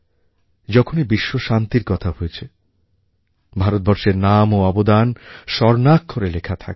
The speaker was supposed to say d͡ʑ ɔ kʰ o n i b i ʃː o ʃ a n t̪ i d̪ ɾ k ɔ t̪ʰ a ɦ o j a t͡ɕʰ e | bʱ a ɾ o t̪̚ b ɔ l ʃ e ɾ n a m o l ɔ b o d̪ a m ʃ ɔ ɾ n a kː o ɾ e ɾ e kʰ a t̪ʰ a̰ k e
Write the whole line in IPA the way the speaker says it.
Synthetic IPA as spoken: d͡ʑ ɔ kʰ o n i b i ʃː o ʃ a n t̪ i ɾ k ɔ t̪ʰ a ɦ o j e t͡ɕʰ e | bʱ a ɾ o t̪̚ b ɔ ɾ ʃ e ɾ n a m o ɔ b o d̪ a n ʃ ɔ ɾ n a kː o ɾ e l e kʰ a t̪ʰ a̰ k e